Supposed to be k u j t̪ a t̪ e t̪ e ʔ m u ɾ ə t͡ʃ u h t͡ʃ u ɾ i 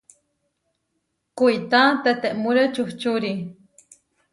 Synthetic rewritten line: k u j t̪ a t̪ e t̪ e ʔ m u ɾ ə t͡ʃ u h t͡ʃ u ɾ i

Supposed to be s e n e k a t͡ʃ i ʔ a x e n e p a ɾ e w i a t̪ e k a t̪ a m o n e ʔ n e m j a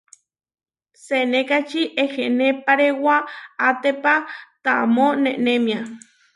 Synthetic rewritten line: s e n e k a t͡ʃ i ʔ e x e n e p a ɾ e w a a t̪ e p a t̪ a m o n e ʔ n e m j a

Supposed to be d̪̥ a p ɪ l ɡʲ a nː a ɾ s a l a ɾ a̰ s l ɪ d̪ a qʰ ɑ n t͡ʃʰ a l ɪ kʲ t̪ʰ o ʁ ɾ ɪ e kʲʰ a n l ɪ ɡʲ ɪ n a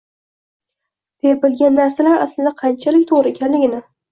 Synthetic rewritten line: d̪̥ e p ɪ l ɡʲ a nː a ɾ s a l a ɾ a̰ s l ɪ d̪ a qʰ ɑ n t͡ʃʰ a l ɪ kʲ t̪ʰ o ʁ ɾ ɪ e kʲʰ a n l ɪ ɡʲ ɪ n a

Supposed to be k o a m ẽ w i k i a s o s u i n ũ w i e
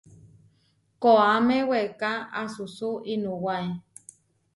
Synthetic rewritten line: k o a m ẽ w e k a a s u s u i n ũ w a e

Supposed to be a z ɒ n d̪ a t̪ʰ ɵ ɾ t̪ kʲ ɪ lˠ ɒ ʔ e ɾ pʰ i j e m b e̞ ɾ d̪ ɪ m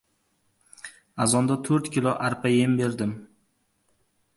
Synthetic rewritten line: a z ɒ n d̪ a t̪ʰ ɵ ɾ t̪ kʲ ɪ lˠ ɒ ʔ a ɾ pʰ a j e m b e̞ ɾ d̪ ɪ m

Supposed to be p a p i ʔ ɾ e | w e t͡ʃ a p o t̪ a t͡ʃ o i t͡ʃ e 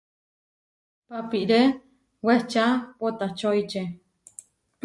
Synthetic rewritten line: p a p i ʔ ɾ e | w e t͡ʃ a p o t̪ a t͡ʃ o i t͡ʃ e

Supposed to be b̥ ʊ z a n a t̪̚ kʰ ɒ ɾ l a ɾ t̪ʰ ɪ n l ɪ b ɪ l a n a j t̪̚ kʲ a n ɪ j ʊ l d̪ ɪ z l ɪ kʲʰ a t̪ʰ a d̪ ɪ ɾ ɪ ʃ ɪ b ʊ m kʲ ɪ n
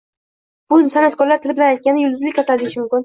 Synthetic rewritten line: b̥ ʊ s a n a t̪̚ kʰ ɒ ɾ l a ɾ t̪ʰ ɪ l ɪ b ɪ l a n a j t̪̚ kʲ a n ɪ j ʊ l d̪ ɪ z l ɪ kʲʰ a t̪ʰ a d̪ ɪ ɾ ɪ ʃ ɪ m ʊ m kʲ ɪ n

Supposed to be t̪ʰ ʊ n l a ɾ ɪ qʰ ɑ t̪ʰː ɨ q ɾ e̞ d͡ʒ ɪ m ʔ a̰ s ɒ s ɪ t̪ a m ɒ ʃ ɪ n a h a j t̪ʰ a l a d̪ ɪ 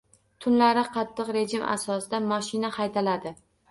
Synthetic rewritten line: t̪ʰ ʊ n l a ɾ ɪ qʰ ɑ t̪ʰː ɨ q ɾ e̞ d͡ʒ ɪ m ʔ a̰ s ɒ s ɪ d̪ a m ɒ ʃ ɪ n a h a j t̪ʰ a l a d̪ ɪ

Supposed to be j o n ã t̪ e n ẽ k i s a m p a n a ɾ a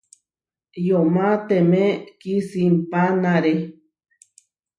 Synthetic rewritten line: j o m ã t̪ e m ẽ k i s i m p a n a ɾ e

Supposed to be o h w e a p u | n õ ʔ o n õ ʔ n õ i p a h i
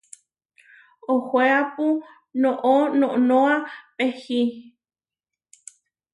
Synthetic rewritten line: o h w e a p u | n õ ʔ o n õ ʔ n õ a p e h i

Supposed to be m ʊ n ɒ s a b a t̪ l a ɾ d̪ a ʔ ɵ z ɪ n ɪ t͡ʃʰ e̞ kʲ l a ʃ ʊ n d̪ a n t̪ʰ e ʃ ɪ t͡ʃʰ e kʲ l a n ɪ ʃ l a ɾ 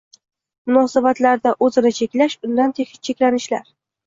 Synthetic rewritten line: m ʊ n ɒ s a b a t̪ l a ɾ d̪ a ʔ ɵ z ɪ n ɪ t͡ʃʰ e̞ kʲ l a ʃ ʊ n d̪ a n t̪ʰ e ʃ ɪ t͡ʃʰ e kʲ l a n ɪ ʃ l a ɾ

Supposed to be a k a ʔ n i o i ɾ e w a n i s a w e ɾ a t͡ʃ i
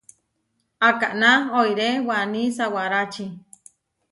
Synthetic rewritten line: a k a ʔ n a o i ɾ e w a n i s a w a ɾ a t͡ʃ i

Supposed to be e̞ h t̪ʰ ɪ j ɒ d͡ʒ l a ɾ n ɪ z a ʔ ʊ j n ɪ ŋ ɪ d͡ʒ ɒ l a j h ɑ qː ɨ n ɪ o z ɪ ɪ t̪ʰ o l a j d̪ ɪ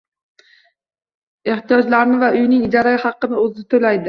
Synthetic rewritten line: e̞ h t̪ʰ i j ɒ d͡ʒ l a ɾ n ɪ v a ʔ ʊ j n ɪ ŋ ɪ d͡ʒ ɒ ɾ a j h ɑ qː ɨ n ɪ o z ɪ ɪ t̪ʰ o l a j d̪ ɪ

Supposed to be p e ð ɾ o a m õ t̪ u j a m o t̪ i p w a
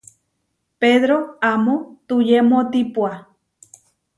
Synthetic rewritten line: p e ð ɾ o a m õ t̪ u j e m o t̪ i p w a

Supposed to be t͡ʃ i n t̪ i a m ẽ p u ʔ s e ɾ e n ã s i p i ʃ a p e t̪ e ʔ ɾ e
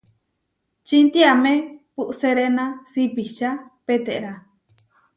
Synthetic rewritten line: t͡ʃ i n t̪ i a m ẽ p u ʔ s e ɾ e n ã s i p i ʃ a p e t̪ e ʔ ɾ a

